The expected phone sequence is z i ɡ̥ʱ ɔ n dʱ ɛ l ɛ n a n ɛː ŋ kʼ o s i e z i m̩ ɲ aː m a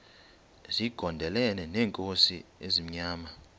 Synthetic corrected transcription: z i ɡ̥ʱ ɔ n dʱ ɛ l ɛ n ɛ n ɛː ŋ kʼ o s i e z i m̩ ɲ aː m a